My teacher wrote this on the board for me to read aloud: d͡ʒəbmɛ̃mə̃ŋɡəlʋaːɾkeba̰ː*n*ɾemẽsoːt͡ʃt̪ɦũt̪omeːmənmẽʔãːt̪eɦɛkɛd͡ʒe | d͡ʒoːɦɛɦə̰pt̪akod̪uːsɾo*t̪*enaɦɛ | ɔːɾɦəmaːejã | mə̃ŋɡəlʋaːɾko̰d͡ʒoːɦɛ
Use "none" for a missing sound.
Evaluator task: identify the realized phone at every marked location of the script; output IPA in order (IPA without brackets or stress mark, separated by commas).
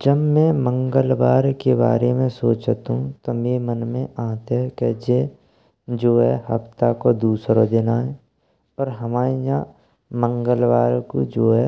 none, d̪